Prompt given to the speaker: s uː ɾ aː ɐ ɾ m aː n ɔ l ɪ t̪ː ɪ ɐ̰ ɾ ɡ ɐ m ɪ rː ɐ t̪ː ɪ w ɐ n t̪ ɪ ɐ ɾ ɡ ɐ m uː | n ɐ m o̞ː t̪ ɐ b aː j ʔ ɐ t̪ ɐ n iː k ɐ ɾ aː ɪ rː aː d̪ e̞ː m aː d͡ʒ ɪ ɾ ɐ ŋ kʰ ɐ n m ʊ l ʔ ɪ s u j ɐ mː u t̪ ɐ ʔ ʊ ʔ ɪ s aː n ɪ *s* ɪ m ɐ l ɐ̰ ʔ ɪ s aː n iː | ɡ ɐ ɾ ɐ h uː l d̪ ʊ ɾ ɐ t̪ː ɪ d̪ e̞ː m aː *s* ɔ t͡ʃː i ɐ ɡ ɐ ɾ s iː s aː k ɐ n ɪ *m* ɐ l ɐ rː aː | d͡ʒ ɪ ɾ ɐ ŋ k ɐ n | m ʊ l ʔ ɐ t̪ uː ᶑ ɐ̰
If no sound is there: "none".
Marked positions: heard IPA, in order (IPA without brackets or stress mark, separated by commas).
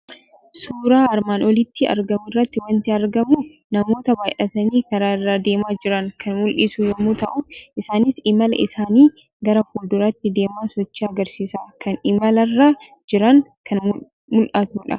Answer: s, s, m